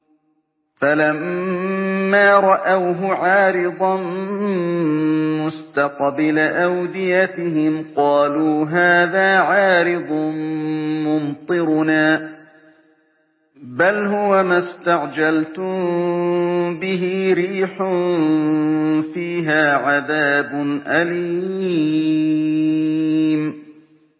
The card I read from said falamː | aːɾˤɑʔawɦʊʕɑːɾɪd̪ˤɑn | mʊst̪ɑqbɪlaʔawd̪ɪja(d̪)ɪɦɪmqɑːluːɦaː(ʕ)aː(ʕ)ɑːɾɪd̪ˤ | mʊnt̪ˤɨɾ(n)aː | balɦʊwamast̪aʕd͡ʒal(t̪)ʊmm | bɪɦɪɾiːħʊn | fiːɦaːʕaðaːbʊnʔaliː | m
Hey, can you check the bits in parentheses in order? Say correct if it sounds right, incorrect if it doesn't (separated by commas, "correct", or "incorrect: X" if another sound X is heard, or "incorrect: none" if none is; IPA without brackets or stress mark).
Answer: incorrect: t̪, incorrect: ð, correct, correct, correct